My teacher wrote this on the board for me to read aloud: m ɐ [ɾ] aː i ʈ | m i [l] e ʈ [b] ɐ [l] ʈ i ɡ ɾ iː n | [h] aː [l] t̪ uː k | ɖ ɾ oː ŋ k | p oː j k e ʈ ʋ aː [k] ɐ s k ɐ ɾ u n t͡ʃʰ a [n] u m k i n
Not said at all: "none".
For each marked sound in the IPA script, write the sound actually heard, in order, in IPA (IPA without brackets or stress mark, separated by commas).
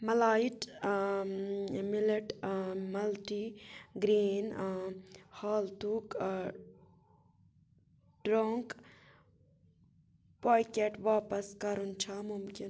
l, l, m, l, h, l, p, m